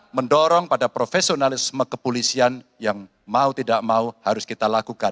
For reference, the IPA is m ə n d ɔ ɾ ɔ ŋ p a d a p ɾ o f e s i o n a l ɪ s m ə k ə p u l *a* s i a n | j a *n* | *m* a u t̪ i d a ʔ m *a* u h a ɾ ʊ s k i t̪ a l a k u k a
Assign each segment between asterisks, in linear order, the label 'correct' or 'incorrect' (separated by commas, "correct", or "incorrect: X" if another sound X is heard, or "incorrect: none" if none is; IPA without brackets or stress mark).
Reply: incorrect: i, incorrect: ŋ, correct, correct